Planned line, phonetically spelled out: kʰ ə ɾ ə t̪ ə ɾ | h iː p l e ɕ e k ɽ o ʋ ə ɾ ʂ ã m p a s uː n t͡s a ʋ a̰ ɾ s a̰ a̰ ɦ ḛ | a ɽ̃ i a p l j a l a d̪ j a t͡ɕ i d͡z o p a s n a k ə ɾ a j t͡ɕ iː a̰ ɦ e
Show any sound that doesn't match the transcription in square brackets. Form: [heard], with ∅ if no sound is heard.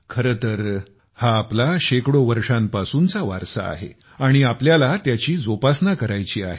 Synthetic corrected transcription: kʰ ə ɾ ə t̪ ə ɾ | h [aː] p l [a] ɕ e k ɽ o ʋ ə ɾ ʂ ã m p a s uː n t͡s a ʋ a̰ ɾ s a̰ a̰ ɦ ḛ | a ɽ̃ i a p l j a l a [t̪] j a t͡ɕ [iː] d͡z o p a s n a k ə ɾ a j t͡ɕ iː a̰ ɦ e